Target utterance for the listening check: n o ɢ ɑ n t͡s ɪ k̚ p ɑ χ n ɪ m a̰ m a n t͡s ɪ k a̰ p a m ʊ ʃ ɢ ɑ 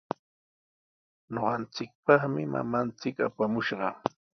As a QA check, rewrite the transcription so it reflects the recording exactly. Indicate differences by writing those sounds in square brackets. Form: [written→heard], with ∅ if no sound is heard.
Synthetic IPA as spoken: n o ɢ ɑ n t͡s ɪ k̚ p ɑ χ [n→m] ɪ m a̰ m a n t͡s ɪ k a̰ p a m ʊ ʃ ɢ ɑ